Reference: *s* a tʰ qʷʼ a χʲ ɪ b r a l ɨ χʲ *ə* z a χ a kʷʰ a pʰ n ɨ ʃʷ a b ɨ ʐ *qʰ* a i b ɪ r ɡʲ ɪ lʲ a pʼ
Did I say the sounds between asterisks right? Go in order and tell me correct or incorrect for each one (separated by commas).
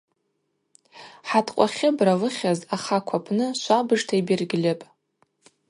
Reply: incorrect, incorrect, incorrect